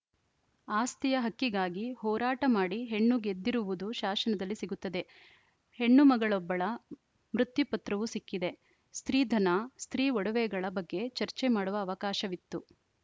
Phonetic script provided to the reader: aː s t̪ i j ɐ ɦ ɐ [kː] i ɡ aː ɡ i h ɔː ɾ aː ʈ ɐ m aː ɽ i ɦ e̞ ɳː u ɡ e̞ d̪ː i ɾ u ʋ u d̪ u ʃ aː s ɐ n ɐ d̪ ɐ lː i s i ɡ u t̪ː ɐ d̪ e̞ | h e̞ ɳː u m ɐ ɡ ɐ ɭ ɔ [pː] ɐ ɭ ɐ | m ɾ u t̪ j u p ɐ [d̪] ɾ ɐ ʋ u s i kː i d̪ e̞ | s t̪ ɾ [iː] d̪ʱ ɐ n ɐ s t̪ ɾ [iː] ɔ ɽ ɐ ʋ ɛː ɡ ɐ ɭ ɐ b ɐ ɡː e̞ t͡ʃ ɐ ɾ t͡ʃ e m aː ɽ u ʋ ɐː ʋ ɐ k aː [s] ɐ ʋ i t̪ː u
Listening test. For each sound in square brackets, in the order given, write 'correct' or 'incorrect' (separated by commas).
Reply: correct, incorrect, incorrect, correct, correct, incorrect